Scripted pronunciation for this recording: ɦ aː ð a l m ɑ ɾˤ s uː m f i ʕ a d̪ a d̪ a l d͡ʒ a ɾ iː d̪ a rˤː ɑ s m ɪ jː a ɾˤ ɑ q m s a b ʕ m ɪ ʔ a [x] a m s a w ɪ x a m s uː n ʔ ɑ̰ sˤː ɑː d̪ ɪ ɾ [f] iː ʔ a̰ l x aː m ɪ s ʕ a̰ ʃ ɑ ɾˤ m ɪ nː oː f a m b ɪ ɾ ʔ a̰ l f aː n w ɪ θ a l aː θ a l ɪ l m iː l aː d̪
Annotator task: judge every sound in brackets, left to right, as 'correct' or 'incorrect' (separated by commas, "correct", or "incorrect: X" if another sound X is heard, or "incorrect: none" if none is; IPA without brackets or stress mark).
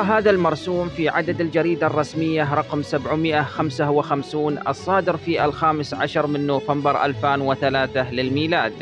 correct, correct